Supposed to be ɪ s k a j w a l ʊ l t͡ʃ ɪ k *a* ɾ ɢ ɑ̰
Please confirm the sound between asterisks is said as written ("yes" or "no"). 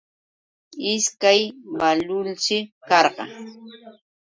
no